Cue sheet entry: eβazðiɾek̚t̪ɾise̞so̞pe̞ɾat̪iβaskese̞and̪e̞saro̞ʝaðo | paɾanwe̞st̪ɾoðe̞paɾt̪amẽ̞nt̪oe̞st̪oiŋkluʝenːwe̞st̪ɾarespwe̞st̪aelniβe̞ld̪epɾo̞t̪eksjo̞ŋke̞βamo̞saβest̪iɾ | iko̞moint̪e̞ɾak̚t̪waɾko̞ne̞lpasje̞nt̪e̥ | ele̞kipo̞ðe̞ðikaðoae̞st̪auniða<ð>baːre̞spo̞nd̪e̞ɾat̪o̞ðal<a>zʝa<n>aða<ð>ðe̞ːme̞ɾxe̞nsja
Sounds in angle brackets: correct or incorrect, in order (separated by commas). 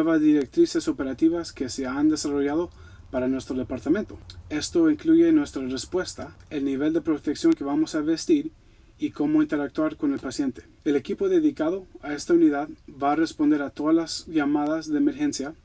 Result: correct, correct, incorrect, incorrect